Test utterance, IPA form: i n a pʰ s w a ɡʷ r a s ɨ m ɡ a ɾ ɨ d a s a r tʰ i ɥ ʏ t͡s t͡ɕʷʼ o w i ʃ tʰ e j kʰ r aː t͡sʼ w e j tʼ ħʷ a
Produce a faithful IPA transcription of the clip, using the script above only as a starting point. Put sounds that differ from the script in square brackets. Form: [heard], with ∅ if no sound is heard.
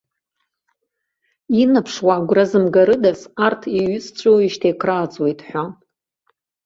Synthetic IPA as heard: i n a pʰ [ʂ] w a ɡʷ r a [z] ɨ m ɡ a ɾ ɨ d a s a r tʰ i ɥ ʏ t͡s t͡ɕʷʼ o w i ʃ tʰ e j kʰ r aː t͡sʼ w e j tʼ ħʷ a